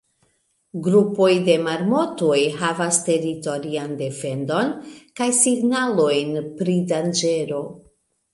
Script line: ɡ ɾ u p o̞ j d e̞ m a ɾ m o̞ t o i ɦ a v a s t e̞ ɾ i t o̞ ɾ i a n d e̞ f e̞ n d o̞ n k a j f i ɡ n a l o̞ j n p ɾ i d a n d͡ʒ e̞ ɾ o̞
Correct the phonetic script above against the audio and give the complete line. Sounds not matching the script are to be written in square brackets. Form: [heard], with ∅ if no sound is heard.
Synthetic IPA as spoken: ɡ ɾ u p o̞ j d e̞ m a ɾ m o̞ t o [j] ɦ a v a s t e̞ ɾ i t o̞ ɾ i a n d e̞ f e̞ n d o̞ n k a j [s] i ɡ n a l o̞ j n p ɾ i d a n d͡ʒ e̞ ɾ o̞